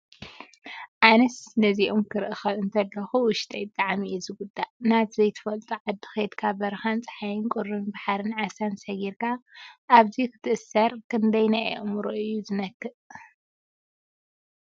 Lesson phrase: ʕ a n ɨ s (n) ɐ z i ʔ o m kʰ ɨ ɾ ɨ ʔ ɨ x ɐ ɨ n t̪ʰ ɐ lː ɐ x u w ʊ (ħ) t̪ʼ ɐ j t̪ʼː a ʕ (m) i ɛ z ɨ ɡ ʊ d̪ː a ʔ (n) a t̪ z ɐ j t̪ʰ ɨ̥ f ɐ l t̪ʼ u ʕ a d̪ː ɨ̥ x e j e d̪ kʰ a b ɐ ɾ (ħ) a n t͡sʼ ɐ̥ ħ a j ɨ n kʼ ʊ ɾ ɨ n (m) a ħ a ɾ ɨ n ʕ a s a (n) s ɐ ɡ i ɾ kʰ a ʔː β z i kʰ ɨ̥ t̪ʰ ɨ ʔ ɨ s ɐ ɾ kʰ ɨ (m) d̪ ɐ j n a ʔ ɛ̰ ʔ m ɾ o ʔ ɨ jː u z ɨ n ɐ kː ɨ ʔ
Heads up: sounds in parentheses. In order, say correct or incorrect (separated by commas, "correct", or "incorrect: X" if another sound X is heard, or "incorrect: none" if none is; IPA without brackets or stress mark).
correct, incorrect: ʃ, correct, correct, incorrect: x, incorrect: b, correct, incorrect: n